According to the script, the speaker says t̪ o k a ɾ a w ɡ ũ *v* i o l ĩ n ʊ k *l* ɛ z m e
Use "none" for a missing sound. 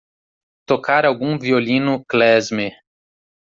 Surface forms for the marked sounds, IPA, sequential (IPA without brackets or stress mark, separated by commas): v, l